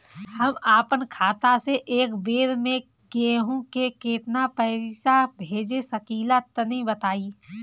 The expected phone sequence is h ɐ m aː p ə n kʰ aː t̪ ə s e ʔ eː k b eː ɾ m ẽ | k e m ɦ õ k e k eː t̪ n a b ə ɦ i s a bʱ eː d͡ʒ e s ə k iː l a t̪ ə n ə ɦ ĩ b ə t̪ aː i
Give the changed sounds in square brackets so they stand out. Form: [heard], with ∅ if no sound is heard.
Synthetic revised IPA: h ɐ m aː p ə n kʰ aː t̪ [a] s e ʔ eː k b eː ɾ m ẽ | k e [∅] ɦ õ k e k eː t̪ n a [p] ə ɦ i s a bʱ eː d͡ʒ e s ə k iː l a t̪ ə n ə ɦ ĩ b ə t̪ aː i